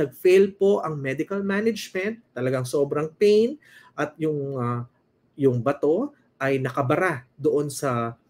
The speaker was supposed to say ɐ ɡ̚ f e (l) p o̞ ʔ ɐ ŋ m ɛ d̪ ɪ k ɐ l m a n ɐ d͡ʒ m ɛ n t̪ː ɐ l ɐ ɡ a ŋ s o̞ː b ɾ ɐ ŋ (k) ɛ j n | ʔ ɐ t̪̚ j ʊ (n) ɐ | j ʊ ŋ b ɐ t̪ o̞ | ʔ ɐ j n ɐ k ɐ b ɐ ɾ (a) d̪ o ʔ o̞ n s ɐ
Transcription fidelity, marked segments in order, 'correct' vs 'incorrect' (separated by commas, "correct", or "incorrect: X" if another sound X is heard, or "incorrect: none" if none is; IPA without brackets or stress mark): correct, incorrect: p, incorrect: ŋ, correct